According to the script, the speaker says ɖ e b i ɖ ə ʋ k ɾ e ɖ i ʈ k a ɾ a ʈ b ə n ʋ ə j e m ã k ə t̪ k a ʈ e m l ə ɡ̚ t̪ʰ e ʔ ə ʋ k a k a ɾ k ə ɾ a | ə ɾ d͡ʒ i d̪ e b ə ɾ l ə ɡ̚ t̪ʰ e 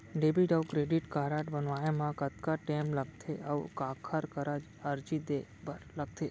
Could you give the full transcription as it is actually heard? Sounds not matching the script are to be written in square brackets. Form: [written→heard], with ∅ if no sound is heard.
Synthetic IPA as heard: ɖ e b i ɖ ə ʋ k ɾ e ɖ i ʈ k a ɾ a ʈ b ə n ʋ [ə→a] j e m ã k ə t̪ k a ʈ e m l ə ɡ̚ t̪ʰ e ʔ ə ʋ k a [k→kʰ] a ɾ k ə ɾ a | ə ɾ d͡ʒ i d̪ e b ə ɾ l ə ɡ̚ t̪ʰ e